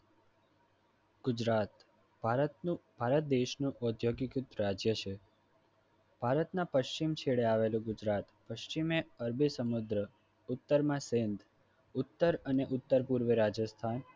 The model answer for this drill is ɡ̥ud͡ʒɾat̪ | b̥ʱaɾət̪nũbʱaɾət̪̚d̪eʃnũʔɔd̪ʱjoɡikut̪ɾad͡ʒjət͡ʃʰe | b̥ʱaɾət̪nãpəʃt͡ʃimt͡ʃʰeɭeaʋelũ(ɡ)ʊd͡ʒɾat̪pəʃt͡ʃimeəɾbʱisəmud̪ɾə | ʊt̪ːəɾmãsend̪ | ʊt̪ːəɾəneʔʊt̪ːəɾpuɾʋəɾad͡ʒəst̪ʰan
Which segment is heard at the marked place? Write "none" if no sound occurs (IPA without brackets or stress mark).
ɡ